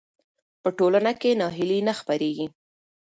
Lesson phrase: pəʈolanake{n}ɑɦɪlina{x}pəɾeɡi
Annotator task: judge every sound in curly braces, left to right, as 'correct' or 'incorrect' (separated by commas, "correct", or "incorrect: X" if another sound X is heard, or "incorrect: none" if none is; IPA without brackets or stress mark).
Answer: correct, correct